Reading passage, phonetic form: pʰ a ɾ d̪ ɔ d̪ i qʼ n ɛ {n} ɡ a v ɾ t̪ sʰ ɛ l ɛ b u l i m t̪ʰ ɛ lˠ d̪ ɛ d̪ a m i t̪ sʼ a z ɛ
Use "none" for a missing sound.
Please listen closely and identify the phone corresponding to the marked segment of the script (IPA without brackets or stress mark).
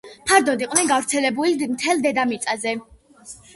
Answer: n